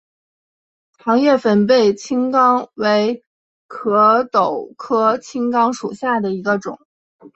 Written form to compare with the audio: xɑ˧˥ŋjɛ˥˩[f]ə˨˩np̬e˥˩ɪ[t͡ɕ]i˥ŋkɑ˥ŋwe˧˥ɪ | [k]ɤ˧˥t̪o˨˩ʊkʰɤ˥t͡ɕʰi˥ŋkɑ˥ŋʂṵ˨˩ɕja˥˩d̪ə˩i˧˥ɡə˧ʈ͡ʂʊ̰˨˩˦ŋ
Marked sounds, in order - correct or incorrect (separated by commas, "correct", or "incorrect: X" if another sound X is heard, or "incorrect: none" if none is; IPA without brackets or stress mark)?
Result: correct, incorrect: t͡ɕʰ, incorrect: kʰ